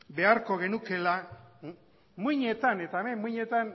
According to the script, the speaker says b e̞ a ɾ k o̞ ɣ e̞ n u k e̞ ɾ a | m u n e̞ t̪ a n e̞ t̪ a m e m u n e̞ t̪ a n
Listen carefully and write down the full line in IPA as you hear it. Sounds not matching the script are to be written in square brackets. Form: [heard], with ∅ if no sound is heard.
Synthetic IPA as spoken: b e̞ a ɾ k o̞ ɣ e̞ n u k e̞ [l] a | m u [ɲ] e̞ t̪ a n e̞ t̪ a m e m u [ɲ] e̞ t̪ a n